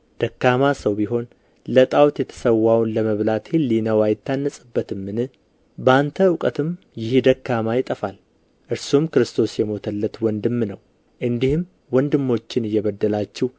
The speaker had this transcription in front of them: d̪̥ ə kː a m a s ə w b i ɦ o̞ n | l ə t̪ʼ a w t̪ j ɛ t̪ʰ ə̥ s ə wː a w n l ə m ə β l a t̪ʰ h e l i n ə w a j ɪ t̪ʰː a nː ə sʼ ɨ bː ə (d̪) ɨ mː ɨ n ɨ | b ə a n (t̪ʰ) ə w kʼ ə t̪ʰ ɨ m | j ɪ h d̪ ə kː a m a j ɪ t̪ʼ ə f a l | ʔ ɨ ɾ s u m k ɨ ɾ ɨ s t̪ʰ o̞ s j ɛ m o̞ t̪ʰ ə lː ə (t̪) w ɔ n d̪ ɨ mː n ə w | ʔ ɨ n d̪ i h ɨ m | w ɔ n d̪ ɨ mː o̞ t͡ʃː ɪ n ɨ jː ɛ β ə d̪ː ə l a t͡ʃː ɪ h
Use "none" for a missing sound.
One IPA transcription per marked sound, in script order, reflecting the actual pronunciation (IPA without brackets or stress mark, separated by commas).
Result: t̪, t̪ʰ, t̪